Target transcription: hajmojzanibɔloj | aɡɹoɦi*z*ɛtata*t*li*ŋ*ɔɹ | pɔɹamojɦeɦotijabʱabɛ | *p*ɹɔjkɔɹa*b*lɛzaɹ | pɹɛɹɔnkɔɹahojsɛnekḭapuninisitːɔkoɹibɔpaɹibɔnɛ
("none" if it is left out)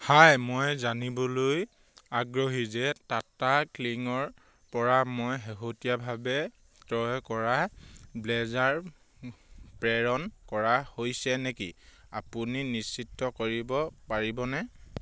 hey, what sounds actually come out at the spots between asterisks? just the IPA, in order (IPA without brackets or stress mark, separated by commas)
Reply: z, k, ŋ, t, b